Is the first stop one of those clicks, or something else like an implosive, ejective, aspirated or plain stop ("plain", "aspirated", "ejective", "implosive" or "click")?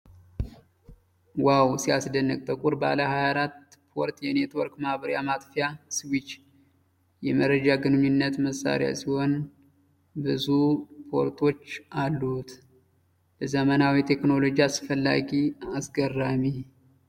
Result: plain